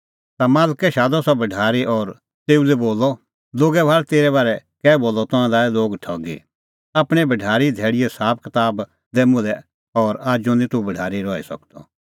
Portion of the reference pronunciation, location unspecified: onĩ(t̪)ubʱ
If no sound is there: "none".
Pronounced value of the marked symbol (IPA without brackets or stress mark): t̪